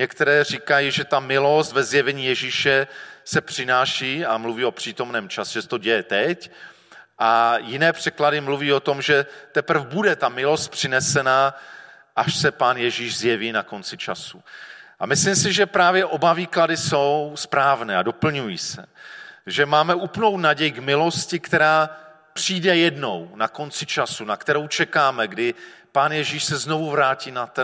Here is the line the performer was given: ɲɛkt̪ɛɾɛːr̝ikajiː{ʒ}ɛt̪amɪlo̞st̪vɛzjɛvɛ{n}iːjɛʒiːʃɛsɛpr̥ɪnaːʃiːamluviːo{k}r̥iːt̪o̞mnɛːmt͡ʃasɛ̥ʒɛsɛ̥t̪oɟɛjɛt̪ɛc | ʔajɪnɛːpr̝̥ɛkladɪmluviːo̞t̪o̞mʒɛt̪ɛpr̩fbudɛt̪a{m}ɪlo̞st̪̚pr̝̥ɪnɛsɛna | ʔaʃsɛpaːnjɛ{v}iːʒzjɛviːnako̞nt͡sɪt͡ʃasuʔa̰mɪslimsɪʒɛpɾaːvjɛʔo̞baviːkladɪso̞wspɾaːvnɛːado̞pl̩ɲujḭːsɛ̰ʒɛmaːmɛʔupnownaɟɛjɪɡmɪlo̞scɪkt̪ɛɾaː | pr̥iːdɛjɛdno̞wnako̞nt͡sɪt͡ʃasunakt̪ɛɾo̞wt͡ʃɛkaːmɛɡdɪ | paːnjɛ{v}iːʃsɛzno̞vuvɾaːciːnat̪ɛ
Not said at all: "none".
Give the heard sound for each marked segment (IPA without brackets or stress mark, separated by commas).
ʒ, ɲ, p, m, ʒ, ʒ